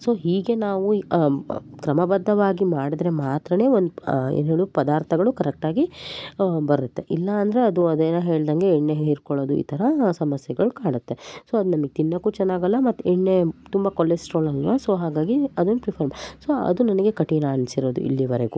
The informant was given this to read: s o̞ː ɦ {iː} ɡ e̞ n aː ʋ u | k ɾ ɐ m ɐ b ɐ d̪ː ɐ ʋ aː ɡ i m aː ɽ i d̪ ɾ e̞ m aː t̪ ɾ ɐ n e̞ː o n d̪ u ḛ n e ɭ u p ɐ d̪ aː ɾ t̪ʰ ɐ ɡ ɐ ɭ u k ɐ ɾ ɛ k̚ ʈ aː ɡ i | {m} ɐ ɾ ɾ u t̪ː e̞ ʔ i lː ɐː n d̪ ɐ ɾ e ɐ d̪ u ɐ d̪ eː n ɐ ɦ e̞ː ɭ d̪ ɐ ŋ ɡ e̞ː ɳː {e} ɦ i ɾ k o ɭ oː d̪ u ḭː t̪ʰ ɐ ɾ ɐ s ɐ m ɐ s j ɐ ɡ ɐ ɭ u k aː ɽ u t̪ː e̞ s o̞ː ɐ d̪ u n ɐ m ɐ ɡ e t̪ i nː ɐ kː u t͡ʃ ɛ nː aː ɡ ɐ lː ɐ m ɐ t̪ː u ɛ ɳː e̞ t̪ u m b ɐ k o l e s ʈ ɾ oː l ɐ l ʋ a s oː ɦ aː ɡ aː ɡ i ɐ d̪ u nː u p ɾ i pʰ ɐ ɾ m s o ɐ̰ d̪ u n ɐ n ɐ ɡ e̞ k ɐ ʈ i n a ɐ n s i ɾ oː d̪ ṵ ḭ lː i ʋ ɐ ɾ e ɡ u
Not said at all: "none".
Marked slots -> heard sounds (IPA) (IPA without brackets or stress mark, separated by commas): iː, b, e